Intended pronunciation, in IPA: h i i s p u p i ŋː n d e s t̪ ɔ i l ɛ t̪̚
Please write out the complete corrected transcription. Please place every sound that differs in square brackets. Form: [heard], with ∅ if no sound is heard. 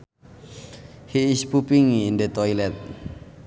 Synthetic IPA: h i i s p u p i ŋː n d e [∅] t̪ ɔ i l ɛ t̪̚